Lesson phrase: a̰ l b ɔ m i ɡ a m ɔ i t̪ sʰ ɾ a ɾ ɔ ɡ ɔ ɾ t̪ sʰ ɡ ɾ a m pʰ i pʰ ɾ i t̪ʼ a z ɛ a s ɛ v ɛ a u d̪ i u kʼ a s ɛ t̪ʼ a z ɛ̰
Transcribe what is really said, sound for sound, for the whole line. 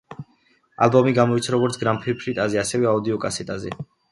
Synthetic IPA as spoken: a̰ l b ɔ m i ɡ a m ɔ i t̪ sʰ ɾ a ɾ ɔ ɡ ɔ ɾ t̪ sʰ ɡ ɾ a m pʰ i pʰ ɾ i t̪ʼ a z ɛ a s ɛ v ɛ a u d̪ i ɔ kʼ a s ɛ t̪ʼ a z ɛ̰